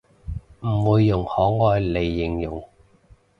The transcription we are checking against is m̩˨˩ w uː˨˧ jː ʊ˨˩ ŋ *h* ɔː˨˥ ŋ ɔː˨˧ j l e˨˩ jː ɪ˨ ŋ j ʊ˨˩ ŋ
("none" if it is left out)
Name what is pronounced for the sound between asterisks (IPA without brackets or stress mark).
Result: h